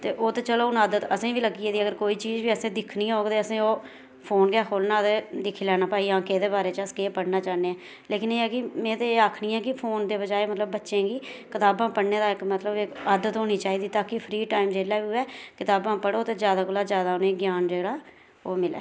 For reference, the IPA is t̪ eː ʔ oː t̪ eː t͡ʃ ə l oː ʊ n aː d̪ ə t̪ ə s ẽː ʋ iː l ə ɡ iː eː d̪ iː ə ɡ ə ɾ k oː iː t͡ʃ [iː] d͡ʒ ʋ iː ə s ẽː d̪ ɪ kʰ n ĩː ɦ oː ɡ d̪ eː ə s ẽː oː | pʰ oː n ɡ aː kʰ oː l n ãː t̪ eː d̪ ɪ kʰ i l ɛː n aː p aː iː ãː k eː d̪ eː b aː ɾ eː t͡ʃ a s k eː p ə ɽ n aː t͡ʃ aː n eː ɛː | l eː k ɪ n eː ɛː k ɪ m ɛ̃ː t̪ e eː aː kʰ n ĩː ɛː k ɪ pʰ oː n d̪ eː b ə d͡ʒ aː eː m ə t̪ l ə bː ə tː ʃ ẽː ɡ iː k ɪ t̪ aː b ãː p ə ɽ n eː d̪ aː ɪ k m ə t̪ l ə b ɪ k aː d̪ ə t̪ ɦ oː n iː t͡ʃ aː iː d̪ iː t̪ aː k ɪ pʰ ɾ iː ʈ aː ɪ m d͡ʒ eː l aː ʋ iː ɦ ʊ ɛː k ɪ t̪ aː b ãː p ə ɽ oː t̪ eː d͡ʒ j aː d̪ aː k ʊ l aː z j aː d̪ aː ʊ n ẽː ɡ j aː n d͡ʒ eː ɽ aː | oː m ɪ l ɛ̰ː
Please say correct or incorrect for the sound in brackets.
correct